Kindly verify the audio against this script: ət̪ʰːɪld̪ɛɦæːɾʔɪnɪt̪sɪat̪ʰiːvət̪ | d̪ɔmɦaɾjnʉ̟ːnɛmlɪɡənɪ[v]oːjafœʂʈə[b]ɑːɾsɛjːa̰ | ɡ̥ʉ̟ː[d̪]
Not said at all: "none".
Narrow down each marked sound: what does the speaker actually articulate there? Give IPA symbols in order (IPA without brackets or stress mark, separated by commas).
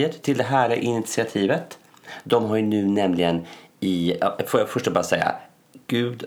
f, b, d̪